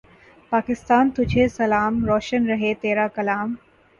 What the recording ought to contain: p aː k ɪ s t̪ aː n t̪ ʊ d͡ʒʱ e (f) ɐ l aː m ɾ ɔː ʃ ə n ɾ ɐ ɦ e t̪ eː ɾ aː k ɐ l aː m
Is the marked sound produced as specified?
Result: no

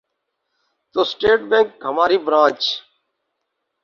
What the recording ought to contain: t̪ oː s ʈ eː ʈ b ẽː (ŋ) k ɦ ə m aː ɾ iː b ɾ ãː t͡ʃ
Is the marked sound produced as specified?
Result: yes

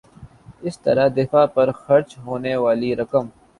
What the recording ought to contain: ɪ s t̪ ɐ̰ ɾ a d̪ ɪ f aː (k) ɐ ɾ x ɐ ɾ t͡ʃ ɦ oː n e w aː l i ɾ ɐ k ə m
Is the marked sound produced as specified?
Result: no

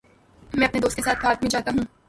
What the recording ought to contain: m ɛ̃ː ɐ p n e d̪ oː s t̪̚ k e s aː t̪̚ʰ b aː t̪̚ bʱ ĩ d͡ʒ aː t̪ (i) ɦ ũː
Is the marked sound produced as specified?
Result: no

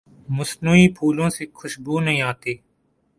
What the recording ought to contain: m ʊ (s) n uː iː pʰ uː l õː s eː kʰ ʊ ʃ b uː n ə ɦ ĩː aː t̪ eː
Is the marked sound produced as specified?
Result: yes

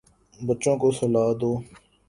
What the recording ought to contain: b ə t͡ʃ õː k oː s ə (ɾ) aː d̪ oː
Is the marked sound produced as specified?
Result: no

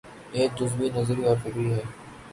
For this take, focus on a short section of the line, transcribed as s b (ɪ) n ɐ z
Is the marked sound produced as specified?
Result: no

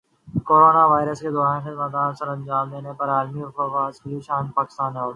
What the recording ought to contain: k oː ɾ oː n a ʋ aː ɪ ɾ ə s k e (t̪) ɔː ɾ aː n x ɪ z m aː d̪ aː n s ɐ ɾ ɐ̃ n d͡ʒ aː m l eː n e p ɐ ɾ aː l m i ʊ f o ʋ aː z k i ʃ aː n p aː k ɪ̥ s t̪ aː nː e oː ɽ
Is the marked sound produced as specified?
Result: no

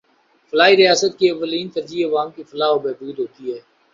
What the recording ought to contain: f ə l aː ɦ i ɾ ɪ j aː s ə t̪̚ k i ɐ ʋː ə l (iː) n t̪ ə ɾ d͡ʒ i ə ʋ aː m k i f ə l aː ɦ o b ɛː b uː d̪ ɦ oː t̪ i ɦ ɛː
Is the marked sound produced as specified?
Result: yes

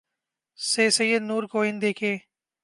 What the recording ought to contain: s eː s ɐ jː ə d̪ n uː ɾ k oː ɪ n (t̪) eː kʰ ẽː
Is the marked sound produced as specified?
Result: no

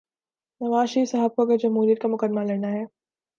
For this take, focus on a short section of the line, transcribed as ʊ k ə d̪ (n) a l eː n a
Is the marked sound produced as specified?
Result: no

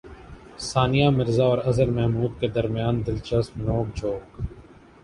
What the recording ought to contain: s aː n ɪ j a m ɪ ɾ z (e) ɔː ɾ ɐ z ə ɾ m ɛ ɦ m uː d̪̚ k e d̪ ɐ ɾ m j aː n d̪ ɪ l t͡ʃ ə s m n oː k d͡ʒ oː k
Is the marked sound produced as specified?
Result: no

